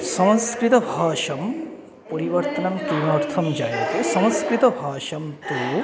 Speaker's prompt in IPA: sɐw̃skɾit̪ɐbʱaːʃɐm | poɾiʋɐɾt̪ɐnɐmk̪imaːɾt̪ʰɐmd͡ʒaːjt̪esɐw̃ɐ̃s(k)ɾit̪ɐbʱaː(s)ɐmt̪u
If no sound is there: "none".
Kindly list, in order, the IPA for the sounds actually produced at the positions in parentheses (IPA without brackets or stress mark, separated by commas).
k, ʃ